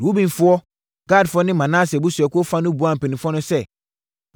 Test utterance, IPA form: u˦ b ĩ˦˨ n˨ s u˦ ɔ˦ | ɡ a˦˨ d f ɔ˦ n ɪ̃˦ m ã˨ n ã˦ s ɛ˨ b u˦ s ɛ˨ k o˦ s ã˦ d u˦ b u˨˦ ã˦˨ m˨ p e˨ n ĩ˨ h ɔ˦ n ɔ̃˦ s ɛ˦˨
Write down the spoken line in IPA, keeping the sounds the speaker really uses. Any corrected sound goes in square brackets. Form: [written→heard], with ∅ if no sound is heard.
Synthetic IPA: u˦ b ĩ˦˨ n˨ [s→f] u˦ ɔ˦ | ɡ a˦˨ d f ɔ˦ n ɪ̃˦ m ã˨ n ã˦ s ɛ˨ b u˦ s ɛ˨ k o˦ [s→f] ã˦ [d→n] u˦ b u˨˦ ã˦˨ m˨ p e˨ n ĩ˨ [h→f] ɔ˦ n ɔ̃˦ s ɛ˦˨